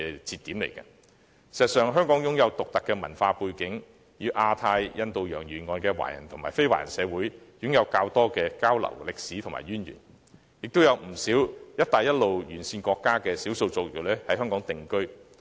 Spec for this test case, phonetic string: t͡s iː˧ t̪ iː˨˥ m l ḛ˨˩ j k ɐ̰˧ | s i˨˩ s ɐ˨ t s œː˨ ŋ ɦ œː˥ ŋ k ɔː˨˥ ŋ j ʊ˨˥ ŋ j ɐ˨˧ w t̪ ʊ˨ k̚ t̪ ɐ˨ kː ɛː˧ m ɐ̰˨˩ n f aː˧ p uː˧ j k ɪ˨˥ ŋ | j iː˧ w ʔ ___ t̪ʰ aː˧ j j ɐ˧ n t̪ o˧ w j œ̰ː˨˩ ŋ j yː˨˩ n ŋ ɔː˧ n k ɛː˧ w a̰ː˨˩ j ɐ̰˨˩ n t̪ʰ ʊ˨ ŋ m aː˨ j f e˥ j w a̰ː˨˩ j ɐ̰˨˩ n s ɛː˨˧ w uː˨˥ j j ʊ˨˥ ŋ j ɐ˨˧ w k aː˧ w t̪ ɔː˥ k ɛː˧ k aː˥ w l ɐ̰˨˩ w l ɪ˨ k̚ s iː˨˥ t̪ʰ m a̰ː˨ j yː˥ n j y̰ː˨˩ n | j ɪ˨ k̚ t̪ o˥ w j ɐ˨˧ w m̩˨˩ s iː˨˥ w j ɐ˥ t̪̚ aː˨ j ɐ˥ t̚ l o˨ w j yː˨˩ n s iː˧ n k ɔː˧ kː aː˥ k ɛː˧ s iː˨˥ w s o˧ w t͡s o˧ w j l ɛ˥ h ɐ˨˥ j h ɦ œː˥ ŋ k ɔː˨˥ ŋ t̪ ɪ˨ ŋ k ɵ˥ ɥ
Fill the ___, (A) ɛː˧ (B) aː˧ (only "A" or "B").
B